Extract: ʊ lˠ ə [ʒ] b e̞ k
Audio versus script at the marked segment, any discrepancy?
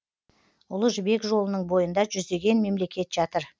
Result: no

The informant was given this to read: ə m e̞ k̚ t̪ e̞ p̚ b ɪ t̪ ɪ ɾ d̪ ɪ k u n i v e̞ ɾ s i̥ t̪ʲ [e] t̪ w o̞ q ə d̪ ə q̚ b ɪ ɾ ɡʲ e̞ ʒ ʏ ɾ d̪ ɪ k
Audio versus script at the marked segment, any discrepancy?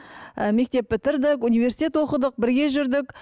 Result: no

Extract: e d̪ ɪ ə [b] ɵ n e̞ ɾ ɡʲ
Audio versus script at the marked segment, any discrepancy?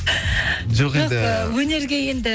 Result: yes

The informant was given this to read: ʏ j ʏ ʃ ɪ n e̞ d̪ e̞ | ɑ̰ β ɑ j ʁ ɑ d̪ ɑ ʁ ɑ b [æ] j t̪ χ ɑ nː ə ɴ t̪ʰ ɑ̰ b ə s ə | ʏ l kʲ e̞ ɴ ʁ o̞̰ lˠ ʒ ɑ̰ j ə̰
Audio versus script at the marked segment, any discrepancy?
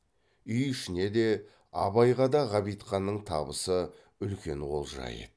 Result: yes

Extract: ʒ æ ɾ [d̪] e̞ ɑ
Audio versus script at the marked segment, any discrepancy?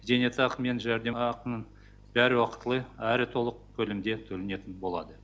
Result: no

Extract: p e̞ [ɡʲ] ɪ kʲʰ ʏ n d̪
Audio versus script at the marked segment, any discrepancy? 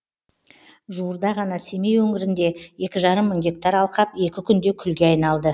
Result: yes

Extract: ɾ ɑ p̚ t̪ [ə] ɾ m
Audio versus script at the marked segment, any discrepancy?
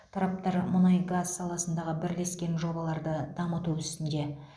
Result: yes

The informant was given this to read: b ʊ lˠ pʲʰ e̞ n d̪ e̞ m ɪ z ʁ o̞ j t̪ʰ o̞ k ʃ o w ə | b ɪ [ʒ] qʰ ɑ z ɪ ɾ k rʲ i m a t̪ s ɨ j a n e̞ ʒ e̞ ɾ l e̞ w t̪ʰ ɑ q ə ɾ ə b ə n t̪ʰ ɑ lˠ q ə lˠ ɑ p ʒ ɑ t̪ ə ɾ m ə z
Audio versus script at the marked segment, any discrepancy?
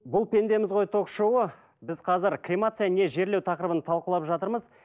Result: yes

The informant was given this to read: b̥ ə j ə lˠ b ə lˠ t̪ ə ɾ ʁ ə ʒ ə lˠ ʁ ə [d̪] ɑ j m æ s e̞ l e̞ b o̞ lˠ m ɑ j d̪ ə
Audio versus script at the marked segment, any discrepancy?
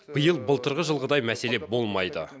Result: no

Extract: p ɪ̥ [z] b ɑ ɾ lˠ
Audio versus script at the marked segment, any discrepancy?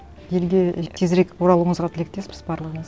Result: no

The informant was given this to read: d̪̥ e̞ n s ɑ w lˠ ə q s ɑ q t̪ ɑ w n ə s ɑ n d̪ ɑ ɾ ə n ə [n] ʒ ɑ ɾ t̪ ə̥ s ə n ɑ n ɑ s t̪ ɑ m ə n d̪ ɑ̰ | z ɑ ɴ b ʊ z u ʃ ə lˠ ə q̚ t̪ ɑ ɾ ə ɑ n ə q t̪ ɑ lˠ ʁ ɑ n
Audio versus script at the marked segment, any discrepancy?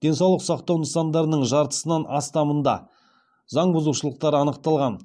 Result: yes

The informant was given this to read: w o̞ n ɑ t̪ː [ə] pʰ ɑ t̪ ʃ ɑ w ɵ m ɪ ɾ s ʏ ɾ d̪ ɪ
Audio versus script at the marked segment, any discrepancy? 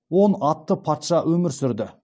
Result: no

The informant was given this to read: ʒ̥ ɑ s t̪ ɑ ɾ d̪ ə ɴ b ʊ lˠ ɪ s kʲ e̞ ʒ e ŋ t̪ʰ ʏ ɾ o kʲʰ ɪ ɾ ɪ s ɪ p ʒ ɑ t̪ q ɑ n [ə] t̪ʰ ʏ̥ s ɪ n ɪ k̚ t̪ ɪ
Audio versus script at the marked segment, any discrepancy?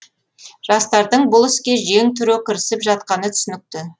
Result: no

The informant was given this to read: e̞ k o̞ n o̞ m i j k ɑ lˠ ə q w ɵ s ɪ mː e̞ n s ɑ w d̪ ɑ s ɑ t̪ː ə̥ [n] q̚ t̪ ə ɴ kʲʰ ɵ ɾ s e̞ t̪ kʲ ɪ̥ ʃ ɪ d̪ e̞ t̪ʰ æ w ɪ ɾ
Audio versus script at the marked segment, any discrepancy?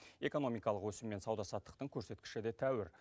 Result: yes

